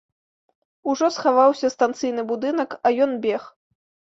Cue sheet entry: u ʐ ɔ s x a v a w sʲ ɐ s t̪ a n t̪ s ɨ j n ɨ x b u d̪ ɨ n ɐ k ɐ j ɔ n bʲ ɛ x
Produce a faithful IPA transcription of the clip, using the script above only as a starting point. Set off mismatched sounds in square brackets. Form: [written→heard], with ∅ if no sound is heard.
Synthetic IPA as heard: u ʐ ɔ s x a v a w sʲ ɐ s t̪ a n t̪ s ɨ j n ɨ [x→∅] b u d̪ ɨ n ɐ k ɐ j ɔ n bʲ ɛ x